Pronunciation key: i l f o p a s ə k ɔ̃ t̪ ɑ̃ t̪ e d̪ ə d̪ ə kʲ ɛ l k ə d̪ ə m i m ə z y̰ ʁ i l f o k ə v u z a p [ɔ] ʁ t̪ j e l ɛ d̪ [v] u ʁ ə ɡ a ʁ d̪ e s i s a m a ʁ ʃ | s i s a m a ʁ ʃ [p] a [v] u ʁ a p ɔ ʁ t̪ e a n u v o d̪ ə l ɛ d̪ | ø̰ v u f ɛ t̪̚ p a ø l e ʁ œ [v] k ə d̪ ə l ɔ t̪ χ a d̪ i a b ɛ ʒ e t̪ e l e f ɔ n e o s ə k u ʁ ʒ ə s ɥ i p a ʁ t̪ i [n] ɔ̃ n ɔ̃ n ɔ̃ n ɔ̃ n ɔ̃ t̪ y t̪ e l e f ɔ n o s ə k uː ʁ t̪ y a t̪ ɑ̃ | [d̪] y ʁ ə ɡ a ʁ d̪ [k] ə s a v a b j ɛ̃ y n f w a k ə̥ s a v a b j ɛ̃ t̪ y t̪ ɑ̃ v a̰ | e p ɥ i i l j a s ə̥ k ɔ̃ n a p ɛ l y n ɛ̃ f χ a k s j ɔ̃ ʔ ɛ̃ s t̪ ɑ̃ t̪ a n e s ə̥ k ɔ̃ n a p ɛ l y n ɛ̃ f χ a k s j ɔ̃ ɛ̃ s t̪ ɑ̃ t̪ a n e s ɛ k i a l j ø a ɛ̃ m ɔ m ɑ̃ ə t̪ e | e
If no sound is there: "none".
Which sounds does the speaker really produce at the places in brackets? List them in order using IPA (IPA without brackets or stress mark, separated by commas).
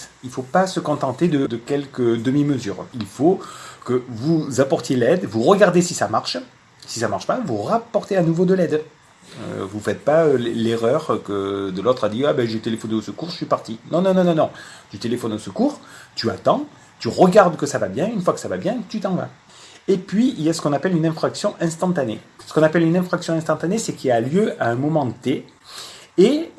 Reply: ɔ, v, p, v, ʁ, n, t̪, k